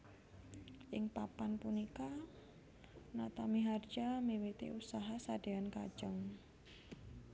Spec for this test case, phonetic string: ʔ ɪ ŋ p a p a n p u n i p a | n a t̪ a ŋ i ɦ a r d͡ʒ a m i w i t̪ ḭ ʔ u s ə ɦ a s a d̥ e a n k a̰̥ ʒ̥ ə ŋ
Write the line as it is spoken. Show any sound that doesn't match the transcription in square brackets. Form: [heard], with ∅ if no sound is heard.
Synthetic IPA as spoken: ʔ ɪ ŋ p a p a n p u n i [k] a | n a t̪ a [m] i ɦ a r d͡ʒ a m i w i t̪ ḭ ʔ u s [a] ɦ a s a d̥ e a n k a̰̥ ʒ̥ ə ŋ